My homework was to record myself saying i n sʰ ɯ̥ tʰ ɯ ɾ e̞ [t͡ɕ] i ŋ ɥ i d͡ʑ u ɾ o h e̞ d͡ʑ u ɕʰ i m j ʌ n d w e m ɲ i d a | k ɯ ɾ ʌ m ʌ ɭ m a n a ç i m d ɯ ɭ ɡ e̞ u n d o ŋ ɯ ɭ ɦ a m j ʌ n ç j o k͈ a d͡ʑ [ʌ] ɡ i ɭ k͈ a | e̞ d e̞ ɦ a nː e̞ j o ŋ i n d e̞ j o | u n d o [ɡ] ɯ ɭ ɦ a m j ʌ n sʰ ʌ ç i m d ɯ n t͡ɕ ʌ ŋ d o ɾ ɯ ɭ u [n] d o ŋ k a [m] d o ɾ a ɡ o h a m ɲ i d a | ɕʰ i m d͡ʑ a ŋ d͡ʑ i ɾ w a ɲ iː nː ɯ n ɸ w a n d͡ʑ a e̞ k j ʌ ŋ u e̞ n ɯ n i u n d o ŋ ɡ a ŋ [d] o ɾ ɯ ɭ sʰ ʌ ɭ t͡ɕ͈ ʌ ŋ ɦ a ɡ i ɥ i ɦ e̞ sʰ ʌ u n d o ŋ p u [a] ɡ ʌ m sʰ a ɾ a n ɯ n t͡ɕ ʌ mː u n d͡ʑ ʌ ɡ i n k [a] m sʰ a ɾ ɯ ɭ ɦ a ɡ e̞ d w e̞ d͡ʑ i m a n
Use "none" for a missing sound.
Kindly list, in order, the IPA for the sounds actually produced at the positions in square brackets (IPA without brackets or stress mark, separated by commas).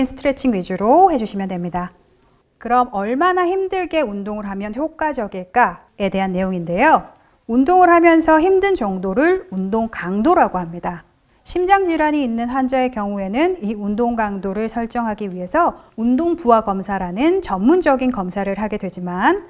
t͡ɕʰ, ʌ, ŋ, n, ŋ, d, a, ʌ